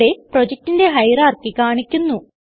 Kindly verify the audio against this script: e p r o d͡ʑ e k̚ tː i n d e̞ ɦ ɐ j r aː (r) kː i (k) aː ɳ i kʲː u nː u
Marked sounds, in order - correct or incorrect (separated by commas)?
correct, correct